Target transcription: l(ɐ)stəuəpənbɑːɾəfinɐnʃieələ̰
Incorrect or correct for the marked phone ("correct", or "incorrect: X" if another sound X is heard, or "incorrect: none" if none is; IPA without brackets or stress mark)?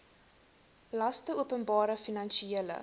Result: correct